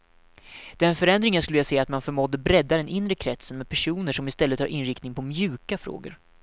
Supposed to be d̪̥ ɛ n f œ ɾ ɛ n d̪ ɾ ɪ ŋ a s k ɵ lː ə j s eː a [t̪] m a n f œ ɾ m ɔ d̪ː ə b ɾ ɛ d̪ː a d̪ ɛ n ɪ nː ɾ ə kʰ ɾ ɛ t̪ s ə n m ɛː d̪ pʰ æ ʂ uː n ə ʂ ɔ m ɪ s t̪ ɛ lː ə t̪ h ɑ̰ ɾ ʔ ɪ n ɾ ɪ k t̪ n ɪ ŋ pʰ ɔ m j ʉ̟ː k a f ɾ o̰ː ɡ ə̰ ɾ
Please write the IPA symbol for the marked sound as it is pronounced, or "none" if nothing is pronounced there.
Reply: t̪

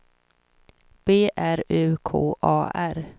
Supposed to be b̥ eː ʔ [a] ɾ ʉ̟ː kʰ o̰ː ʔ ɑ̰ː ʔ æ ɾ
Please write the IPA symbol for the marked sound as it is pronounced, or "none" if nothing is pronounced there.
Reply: æ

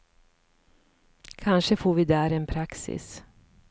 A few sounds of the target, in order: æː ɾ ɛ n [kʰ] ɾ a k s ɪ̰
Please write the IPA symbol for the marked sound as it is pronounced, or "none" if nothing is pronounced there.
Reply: pʰ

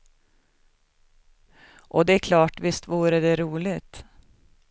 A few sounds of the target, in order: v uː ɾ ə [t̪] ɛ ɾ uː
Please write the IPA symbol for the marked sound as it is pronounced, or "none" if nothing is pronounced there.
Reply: d̪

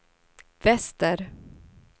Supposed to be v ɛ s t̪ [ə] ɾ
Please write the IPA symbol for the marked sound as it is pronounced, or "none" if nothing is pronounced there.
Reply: ə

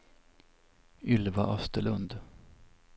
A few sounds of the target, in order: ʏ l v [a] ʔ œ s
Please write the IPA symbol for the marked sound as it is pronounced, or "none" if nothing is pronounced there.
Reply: a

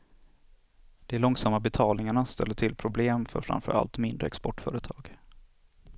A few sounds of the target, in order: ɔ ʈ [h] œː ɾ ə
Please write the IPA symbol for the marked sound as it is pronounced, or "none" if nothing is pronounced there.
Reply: f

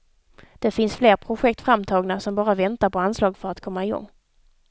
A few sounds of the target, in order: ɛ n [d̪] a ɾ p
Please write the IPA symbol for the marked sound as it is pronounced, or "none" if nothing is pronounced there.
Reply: t̪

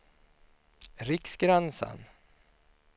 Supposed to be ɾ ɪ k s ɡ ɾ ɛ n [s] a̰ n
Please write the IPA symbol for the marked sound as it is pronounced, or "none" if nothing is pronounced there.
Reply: s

